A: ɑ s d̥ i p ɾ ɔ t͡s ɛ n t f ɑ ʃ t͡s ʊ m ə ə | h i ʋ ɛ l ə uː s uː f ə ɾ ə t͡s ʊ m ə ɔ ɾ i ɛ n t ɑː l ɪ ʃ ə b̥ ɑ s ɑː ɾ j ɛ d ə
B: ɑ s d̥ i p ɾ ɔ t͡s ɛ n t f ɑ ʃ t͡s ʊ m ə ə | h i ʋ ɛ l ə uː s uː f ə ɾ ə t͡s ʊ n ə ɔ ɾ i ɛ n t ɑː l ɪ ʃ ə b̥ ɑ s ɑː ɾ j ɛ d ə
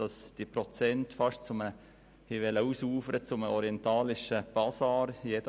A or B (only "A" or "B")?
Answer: A